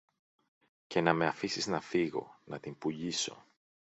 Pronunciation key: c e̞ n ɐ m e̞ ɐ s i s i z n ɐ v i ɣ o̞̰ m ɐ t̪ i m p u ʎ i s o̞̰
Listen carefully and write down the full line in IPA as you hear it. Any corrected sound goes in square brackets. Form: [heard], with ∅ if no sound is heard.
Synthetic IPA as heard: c e̞ n ɐ m e̞ ɐ [f] i s i z n ɐ [f] i ɣ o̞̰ [n] ɐ t̪ i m p u ʎ i s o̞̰